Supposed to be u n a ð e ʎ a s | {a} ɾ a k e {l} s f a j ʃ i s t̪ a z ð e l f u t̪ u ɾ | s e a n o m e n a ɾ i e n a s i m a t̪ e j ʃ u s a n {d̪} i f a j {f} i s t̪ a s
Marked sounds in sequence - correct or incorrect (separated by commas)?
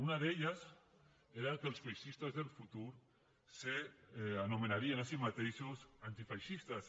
incorrect, correct, incorrect, incorrect